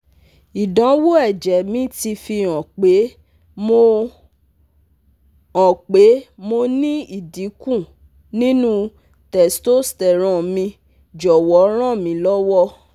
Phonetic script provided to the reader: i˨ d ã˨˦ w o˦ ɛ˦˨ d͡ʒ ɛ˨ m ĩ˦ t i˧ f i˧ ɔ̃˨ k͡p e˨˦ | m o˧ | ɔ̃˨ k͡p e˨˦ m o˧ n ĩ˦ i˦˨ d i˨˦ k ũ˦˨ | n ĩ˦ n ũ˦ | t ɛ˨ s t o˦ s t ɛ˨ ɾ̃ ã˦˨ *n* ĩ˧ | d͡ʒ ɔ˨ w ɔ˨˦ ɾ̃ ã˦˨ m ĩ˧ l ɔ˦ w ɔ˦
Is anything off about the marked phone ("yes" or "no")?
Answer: yes